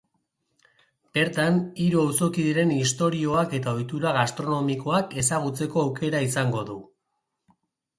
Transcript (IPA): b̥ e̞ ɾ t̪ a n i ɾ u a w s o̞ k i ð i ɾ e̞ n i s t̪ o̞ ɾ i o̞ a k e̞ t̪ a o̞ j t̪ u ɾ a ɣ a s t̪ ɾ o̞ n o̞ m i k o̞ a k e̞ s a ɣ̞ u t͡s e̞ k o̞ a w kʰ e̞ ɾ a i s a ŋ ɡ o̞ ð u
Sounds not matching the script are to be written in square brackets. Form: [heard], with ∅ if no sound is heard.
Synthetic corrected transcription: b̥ e̞ ɾ t̪ a n i ɾ u a w s o̞ k i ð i ɾ e̞ n i s t̪ o̞ ɾ i o̞ a k e̞ t̪ a o̞ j t̪ u ɾ a ɣ a s t̪ ɾ o̞ n o̞ m i k o̞ a k e̞ s a ɣ̞ u t͡s e̞ k o̞ a w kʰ e̞ ɾ a i s a ŋ ɡ o̞ ð u